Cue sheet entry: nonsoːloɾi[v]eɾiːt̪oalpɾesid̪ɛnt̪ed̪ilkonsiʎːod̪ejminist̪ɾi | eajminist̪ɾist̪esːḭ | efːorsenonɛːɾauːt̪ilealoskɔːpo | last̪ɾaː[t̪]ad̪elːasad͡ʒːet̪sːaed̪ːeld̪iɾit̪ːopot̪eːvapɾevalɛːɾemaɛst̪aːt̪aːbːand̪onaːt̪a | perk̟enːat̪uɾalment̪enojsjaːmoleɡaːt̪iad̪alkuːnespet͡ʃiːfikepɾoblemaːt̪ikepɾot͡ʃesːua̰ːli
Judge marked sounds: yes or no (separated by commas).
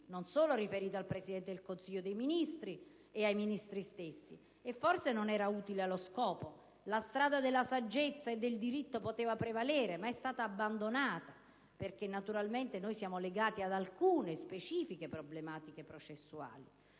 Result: no, no